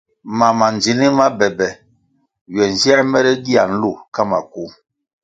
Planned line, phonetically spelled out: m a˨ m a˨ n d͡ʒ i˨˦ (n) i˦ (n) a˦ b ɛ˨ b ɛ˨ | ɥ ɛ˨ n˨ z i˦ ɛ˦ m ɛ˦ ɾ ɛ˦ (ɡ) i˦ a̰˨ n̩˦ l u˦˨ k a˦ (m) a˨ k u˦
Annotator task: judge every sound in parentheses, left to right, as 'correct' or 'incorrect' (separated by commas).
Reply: correct, incorrect, correct, correct